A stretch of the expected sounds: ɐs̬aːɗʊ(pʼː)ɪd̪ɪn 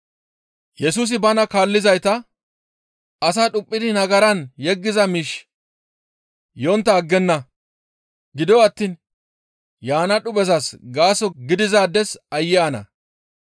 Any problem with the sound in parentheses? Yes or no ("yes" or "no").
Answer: no